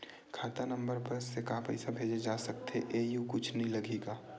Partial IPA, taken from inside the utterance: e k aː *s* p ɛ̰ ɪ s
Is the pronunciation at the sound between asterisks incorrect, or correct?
incorrect